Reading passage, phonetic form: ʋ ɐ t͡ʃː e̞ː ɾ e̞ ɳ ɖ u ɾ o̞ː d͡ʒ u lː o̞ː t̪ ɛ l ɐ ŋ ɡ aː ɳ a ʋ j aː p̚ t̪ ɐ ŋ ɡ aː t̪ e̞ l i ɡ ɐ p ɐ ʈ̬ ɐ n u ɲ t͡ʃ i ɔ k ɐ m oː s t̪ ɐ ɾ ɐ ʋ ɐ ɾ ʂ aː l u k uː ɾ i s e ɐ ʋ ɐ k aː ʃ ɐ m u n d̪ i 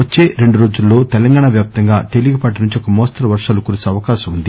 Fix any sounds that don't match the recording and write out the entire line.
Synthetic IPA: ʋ ɐ t͡ʃː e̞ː ɾ e̞ ɳ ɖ u ɾ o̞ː d͡ʒ u lː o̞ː t̪ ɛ l ɐ ŋ ɡ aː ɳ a ʋ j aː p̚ t̪ ɐ ŋ ɡ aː t̪ e̞ l i ɡ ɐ p ɐ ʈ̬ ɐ n u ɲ t͡ʃ i ɔ k ɐ m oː s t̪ ɐ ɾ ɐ ʋ ɐ ɾ ʂ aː l u k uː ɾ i s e ɐ ʋ ɐ k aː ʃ ɐ m u n d̪ i